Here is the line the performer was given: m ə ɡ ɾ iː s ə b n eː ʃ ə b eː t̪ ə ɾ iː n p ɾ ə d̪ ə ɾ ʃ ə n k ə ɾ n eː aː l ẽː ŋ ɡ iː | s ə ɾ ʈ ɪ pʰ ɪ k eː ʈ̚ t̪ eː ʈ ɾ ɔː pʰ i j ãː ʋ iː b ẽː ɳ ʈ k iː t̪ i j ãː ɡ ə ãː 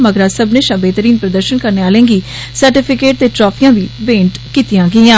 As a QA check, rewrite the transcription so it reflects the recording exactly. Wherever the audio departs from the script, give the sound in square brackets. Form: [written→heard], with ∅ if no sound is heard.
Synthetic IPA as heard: m ə ɡ ɾ [iː→aː] s ə b n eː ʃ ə b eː t̪ ə ɾ iː n p ɾ ə d̪ ə ɾ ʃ ə n k ə ɾ n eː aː l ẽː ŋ ɡ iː | s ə ɾ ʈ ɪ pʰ ɪ k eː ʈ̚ t̪ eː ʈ ɾ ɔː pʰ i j ãː ʋ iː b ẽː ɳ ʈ k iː t̪ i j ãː ɡ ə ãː